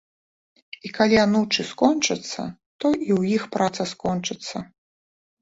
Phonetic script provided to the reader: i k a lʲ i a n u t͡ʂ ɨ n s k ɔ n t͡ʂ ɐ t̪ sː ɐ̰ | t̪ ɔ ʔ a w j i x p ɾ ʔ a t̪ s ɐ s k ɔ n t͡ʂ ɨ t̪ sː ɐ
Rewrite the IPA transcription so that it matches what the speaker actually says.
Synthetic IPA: i k a lʲ i a n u t͡ʂ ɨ s k ɔ n t͡ʂ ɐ t̪ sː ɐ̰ | t̪ ɔ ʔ i w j i x p ɾ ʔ a t̪ s ɐ s k ɔ n t͡ʂ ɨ t̪ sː ɐ